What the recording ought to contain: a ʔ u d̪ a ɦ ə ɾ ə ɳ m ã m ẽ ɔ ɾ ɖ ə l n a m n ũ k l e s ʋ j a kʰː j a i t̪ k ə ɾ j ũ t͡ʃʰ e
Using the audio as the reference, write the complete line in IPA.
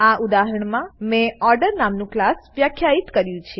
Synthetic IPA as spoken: a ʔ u d̪ a ɦ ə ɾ ə ɳ m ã m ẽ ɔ ɾ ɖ ə ɾ n a m n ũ k l a s ʋ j a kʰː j a i t̪ k ə ɾ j ũ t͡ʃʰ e